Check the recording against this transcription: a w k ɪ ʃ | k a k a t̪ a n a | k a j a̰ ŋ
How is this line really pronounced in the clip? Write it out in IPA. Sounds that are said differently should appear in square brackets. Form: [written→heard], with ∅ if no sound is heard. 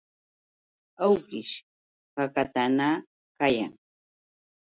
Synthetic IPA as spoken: a w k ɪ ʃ | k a k a t̪ a n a | k a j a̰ ŋ